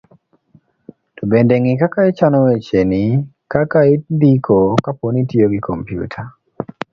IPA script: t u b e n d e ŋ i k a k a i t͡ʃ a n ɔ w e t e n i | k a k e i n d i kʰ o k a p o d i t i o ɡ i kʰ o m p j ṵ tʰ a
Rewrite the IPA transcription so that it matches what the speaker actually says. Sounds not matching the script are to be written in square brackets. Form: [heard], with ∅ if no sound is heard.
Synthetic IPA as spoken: t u b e n d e ŋ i k a k a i t͡ʃ a n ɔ w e [t͡ʃ] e n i | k a k [a] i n d i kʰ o k a p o [n] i t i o ɡ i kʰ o m p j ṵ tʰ a

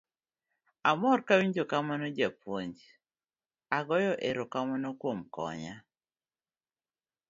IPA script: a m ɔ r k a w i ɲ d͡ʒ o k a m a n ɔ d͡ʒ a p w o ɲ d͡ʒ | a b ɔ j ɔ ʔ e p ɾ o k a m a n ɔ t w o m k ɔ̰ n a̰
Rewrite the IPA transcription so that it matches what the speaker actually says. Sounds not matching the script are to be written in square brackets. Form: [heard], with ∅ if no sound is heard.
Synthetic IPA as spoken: a m ɔ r k a w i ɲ d͡ʒ o k a m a n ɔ d͡ʒ a p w o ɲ d͡ʒ | a [ɡ] ɔ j ɔ ʔ e [∅] ɾ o k a m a n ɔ [k] w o m k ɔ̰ [ɲ] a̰

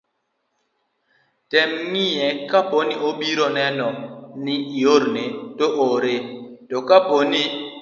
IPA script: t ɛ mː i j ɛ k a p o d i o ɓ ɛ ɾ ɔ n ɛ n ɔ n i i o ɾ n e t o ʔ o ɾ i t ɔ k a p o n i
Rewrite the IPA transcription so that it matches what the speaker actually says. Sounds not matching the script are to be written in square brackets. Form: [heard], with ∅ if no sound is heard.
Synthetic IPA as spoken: t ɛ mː i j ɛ k a p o [n] i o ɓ [i] ɾ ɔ n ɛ n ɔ n i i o ɾ n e t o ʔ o ɾ [e] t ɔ k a p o n i

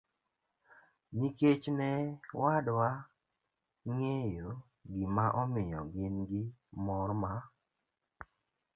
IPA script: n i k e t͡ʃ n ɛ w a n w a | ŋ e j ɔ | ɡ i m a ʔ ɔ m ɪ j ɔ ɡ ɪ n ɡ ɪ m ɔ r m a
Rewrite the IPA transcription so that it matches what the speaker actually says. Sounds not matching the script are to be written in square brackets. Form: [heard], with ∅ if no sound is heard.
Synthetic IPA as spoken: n i k e t͡ʃ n ɛ w a [d] w a | ŋ e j [o] | ɡ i m a ʔ ɔ m ɪ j ɔ ɡ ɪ n ɡ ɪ m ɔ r m a

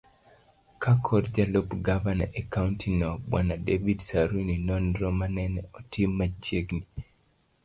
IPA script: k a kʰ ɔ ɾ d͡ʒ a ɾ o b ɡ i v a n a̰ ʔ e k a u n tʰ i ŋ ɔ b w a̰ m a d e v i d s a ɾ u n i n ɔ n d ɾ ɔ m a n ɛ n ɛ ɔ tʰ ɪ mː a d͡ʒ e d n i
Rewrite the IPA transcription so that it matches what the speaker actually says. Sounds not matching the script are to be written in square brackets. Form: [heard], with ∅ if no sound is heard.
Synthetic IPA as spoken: k a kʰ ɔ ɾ d͡ʒ a [l] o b ɡ [a] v a n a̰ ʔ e k a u n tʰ i [n] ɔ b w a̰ [n] a d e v i d s a ɾ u n i n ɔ n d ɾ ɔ m a n ɛ n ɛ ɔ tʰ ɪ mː a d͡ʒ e [ɡ] n i

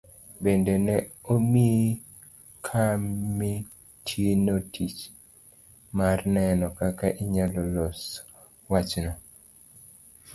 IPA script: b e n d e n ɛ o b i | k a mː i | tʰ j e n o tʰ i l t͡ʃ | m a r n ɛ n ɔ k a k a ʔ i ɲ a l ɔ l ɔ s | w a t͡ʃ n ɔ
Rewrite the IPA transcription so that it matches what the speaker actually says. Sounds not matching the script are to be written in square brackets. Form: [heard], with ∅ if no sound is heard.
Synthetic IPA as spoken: b e n d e n ɛ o [m] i | [kʰ] a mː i | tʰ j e n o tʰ i [∅] t͡ʃ | m a r n ɛ n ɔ k a k a ʔ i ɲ a l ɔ l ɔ s | w a t͡ʃ n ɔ

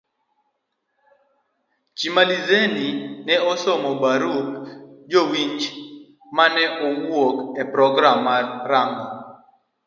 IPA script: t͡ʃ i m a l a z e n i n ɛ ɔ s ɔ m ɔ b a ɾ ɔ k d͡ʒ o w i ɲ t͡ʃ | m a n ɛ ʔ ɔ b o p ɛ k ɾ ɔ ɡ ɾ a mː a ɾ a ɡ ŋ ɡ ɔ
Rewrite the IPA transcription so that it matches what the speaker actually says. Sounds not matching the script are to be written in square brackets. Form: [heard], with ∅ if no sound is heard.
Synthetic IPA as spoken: t͡ʃ i m a l [i] z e n i n ɛ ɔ s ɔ m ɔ b a ɾ [u] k d͡ʒ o w i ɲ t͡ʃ | m a n ɛ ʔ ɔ [w] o [k] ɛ [p] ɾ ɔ ɡ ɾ a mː a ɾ a [∅] ŋ ɡ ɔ

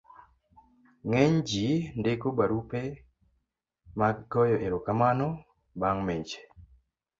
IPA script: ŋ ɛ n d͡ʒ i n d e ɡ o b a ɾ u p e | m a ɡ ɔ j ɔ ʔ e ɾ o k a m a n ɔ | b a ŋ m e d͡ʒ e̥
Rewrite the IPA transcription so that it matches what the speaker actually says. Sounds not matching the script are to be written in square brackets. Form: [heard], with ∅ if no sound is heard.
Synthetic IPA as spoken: ŋ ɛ [ɲ] d͡ʒ i n d e [k] o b a ɾ u p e | m a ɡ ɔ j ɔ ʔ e ɾ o k a m a n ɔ | b a ŋ m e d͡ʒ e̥

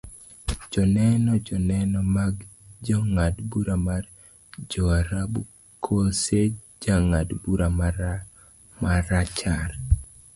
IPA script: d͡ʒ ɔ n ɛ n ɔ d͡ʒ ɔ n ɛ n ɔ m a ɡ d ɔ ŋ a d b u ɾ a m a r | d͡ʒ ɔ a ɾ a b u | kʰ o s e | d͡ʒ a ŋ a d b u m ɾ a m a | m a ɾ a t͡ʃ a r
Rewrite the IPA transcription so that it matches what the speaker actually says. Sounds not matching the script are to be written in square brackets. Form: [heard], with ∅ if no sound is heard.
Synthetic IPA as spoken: d͡ʒ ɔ n ɛ n ɔ d͡ʒ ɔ n ɛ n ɔ m a ɡ [d͡ʒ] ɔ ŋ a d b u ɾ a m a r | d͡ʒ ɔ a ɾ a b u | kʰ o s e | d͡ʒ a ŋ a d b u [∅] ɾ a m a | m a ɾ a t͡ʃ a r

